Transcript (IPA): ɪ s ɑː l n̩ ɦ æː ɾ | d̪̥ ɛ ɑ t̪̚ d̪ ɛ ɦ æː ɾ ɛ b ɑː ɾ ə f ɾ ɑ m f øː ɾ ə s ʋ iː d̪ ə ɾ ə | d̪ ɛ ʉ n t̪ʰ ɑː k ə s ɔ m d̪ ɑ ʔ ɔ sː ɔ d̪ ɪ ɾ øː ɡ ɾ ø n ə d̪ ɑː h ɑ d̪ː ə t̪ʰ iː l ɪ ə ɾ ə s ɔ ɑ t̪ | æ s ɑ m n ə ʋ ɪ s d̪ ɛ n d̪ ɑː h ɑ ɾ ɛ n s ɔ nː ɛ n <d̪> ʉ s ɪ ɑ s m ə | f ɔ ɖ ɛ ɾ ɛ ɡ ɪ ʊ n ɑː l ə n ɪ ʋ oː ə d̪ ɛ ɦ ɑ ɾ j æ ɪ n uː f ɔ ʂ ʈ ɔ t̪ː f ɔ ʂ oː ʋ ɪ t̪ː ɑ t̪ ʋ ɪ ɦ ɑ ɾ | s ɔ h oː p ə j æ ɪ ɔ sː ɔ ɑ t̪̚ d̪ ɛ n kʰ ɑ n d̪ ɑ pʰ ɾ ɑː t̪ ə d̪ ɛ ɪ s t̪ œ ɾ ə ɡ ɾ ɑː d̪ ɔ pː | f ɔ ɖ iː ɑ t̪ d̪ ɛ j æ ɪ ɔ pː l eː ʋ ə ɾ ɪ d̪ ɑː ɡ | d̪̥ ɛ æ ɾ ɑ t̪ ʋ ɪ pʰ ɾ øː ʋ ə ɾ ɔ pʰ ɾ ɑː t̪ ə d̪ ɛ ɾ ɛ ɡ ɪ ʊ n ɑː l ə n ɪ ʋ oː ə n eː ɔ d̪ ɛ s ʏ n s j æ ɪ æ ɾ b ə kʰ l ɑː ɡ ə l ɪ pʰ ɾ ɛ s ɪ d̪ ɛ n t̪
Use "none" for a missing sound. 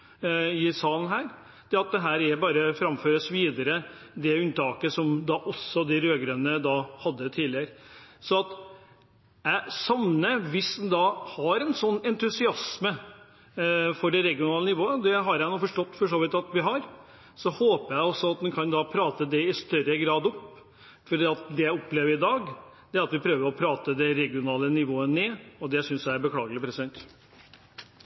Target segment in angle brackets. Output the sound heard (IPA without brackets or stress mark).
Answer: t̪